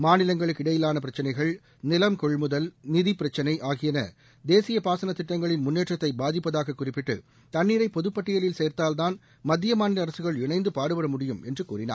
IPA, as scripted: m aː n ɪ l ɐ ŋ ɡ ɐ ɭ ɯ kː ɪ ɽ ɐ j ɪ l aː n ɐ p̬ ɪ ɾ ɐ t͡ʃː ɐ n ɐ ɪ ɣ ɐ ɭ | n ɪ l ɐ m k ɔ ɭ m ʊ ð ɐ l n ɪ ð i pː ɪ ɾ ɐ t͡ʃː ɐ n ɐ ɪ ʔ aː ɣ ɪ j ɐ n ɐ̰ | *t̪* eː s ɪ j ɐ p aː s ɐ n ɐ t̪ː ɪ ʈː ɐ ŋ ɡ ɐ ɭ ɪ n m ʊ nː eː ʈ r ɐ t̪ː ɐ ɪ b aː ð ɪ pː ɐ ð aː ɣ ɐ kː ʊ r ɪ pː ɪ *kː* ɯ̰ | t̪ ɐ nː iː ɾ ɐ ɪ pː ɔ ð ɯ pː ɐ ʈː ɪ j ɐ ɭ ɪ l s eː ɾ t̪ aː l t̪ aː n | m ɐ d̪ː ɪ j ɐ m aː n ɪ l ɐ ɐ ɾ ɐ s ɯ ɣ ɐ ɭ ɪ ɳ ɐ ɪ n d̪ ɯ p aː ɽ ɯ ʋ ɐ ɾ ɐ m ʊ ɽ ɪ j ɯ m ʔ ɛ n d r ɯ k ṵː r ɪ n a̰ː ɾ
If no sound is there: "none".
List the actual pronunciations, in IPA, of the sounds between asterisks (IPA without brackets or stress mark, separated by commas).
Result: d̪, ʈː